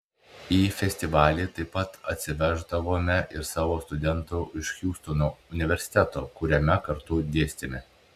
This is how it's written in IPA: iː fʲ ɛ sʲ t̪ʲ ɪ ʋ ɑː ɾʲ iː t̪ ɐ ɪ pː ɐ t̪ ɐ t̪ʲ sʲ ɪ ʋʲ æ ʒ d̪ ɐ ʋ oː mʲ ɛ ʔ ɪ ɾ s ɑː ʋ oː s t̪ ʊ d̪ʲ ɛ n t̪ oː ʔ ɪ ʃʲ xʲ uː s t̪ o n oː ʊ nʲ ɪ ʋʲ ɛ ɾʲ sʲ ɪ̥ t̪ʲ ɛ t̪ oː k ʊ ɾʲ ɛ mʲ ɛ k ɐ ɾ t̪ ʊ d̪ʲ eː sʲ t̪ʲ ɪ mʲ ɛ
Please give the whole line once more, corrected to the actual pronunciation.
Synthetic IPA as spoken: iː fʲ ɛ sʲ t̪ʲ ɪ ʋ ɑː lʲ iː t̪ ɐ ɪ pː ɐ t̪ ɐ t̪ʲ sʲ ɪ ʋʲ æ ʒ d̪ ɐ ʋ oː mʲ ɛ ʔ ɪ ɾ s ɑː ʋ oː s t̪ ʊ d̪ʲ ɛ n t̪ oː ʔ ɪ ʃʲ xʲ uː s t̪ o n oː ʊ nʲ ɪ ʋʲ ɛ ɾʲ sʲ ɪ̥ t̪ʲ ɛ t̪ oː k ʊ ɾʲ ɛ mʲ ɛ k ɐ ɾ t̪ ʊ d̪ʲ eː sʲ t̪ʲ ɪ mʲ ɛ

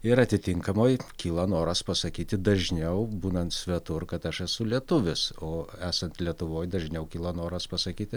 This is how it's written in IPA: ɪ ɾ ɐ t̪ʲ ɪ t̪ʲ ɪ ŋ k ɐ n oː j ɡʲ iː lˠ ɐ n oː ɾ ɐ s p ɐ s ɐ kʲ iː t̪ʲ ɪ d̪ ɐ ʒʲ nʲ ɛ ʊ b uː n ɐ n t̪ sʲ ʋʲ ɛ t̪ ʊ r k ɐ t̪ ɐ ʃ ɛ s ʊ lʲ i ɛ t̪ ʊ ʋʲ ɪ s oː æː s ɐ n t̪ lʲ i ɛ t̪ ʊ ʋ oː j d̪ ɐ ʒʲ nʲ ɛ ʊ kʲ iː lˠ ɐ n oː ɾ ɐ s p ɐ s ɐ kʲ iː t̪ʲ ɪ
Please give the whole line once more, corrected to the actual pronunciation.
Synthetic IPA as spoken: ɪ ɾ ɐ t̪ʲ ɪ t̪ʲ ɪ ŋ k ɐ m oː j kʲ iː lˠ ɐ n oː ɾ ɐ s p ɐ s ɐ kʲ iː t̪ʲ ɪ d̪ ɐ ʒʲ nʲ ɛ ʊ b uː n ɐ n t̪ sʲ ʋʲ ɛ t̪ ʊ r k ɐ t̪ ɐ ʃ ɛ s ʊ lʲ i ɛ t̪ ʊ ʋʲ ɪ s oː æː s ɐ n t̪ lʲ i ɛ t̪ ʊ ʋ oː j d̪ ɐ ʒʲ nʲ ɛ ʊ kʲ iː lˠ ɐ n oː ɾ ɐ s p ɐ s ɐ kʲ iː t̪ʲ ɪ

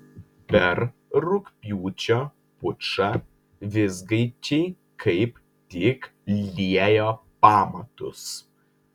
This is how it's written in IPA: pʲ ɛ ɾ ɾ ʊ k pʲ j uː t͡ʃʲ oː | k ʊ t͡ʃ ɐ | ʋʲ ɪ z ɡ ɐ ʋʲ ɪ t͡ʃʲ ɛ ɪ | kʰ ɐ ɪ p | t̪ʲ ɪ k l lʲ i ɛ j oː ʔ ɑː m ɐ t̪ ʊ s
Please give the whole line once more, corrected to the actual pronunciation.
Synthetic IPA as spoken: pʲ ɛ ɾ ɾ ʊ k pʲ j uː t͡ʃʲ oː | p ʊ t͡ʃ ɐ | ʋʲ ɪ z ɡ ɐ ɪ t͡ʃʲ ɛ ɪ | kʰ ɐ ɪ p | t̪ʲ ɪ k l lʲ i ɛ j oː p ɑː m ɐ t̪ ʊ s

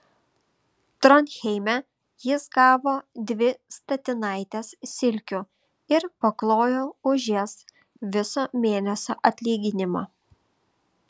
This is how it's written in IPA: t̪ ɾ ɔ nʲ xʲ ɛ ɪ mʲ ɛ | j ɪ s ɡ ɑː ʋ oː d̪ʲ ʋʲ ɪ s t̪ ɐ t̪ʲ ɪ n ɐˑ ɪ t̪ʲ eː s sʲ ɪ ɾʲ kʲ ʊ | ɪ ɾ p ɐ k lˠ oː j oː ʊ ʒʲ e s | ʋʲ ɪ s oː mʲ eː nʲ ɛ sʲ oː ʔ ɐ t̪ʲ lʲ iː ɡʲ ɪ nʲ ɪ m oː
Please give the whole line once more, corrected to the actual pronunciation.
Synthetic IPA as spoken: t̪ ɾ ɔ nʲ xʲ ɛ ɪ mʲ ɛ | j ɪ s ɡ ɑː ʋ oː d̪ʲ ʋʲ ɪ s t̪ ɐ t̪ʲ ɪ n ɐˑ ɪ t̪ʲ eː s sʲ ɪ lʲ kʲ ʊ | ɪ ɾ p ɐ k lˠ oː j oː ʊ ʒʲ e s | ʋʲ ɪ s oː mʲ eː nʲ ɛ sʲ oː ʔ ɐ t̪ʲ lʲ iː ɡʲ ɪ nʲ ɪ m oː

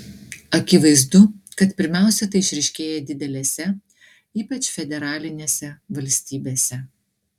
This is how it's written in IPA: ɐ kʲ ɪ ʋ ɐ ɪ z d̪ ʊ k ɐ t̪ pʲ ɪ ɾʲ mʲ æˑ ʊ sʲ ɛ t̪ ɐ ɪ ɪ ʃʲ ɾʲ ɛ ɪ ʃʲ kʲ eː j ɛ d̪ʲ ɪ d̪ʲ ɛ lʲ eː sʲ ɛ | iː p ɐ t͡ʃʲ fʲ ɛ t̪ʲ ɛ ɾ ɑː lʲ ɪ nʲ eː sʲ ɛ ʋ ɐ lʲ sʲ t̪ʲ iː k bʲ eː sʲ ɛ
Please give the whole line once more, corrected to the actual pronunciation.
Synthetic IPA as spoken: ɐ kʲ ɪ ʋ ɐ ɪ z d̪ ʊ k ɐ t̪ pʲ ɪ ɾʲ mʲ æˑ ʊ sʲ ɛ t̪ ɐ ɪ ɪ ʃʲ ɾʲ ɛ ɪ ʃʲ kʲ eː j ɛ d̪ʲ ɪ d̪ʲ ɛ lʲ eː sʲ ɛ | iː p ɐ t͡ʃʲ fʲ ɛ d̪ʲ ɛ ɾ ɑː lʲ ɪ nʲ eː sʲ ɛ ʋ ɐ lʲ sʲ t̪ʲ iː bʲ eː sʲ ɛ

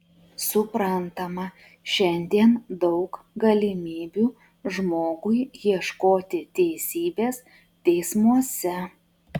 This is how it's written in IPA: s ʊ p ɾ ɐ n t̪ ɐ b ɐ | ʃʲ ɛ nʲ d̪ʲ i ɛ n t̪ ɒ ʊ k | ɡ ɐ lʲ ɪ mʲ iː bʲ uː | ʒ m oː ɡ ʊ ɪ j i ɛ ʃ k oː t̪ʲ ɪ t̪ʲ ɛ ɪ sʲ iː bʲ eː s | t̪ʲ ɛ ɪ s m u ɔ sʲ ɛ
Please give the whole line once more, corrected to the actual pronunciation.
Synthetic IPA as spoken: s ʊ p ɾ ɐ n t̪ ɐ m ɐ | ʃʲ ɛ nʲ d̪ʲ i ɛ n d̪ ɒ ʊ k | ɡ ɐ lʲ ɪ mʲ iː bʲ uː | ʒ m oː ɡ ʊ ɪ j i ɛ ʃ k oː t̪ʲ ɪ t̪ʲ ɛ ɪ sʲ iː bʲ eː s | t̪ʲ ɛ ɪ s m u ɔ sʲ ɛ

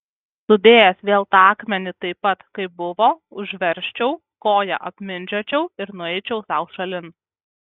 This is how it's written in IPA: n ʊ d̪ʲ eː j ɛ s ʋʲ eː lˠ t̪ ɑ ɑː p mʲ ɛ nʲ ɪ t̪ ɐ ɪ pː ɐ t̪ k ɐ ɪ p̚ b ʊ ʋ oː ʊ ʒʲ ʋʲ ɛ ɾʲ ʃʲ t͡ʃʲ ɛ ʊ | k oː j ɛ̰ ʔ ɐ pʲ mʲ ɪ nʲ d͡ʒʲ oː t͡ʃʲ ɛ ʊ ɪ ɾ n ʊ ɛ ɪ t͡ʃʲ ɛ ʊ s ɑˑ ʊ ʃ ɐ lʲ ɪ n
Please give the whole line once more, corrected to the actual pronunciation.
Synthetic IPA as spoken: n ʊ d̪ʲ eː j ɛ s ʋʲ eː lˠ t̪ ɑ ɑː k mʲ ɛ nʲ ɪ t̪ ɐ ɪ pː ɐ t̪ k ɐ ɪ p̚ b ʊ ʋ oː ʊ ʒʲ ʋʲ ɛ ɾʲ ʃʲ t͡ʃʲ ɛ ʊ | k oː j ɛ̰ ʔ ɐ pʲ mʲ ɪ nʲ d͡ʒʲ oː t͡ʃʲ ɛ ʊ ɪ ɾ n ʊ ɛ ɪ t͡ʃʲ ɛ ʊ s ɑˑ ʊ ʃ ɐ lʲ ɪ n

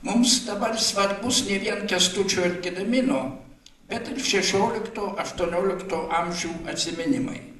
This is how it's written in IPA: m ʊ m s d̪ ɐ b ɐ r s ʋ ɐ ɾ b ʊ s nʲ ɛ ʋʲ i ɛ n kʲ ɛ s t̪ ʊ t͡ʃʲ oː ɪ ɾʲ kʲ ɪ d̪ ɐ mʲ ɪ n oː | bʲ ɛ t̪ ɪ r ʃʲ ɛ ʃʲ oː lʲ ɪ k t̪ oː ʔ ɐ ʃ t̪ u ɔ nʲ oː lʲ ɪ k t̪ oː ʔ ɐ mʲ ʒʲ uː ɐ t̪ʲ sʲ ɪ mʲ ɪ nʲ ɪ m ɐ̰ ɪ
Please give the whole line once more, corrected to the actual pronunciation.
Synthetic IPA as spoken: m ʊ m s d̪ ɐ b ɐ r s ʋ ɐ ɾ b ʊ s nʲ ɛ ʋʲ i ɛ n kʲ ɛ s t̪ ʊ t͡ʃʲ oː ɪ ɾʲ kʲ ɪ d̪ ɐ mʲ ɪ n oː | bʲ ɛ t̪ ɪ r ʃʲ ɛ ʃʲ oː lʲ ɪ k t̪ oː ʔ ɐ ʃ t̪ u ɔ nʲ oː lʲ ɪ k t̪ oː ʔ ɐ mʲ ʒʲ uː ɐ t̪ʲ sʲ ɪ mʲ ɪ nʲ ɪ m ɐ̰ ɪ

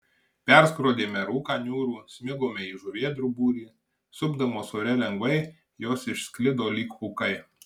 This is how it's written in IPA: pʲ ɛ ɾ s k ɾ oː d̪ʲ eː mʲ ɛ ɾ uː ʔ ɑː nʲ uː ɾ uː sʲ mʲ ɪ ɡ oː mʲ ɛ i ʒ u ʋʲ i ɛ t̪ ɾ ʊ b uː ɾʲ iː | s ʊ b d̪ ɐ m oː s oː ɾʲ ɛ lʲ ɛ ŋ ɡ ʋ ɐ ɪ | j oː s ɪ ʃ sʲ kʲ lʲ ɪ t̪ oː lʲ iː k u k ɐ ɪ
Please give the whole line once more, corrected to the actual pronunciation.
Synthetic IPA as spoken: pʲ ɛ ɾ s k ɾ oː d̪ʲ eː mʲ ɛ ɾ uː k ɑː nʲ uː ɾ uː sʲ mʲ ɪ ɡ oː mʲ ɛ i ʒ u ʋʲ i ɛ d̪ ɾ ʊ b uː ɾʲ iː | s ʊ b d̪ ɐ m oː s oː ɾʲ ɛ lʲ ɛ ŋ ɡ ʋ ɐ ɪ | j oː s ɪ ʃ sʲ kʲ lʲ ɪ d̪ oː lʲ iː k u k ɐ ɪ

